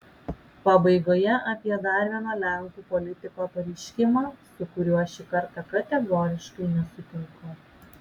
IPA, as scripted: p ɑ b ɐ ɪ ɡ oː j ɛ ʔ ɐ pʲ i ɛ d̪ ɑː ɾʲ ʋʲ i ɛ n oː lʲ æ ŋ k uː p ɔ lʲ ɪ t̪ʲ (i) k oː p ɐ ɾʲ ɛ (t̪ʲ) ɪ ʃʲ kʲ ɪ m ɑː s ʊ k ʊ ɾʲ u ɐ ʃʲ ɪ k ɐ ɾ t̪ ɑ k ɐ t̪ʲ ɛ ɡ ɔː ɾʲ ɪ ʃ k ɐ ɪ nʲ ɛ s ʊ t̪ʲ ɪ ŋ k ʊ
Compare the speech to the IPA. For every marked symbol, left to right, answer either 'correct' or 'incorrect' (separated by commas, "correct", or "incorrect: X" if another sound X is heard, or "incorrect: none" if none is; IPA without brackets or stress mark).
incorrect: ɪ, incorrect: none